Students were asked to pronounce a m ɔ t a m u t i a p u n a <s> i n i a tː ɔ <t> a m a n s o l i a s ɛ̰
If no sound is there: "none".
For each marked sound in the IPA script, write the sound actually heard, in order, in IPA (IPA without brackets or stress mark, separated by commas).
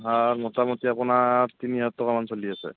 t, k